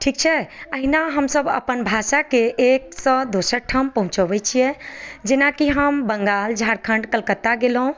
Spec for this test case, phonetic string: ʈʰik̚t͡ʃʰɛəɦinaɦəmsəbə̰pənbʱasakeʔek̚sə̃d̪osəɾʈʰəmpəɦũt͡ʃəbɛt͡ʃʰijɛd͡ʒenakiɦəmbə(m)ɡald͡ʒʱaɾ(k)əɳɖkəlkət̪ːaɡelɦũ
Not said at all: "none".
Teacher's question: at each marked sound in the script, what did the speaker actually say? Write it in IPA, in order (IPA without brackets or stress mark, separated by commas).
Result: ŋ, kʰ